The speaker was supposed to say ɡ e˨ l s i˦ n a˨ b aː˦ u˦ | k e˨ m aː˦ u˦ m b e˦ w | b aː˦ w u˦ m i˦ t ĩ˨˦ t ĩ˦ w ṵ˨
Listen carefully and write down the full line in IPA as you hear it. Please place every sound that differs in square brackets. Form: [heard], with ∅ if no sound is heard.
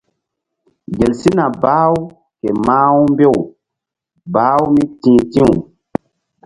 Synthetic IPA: ɡ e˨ l s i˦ n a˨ b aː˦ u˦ | k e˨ m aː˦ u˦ m b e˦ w | b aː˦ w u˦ m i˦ t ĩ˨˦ t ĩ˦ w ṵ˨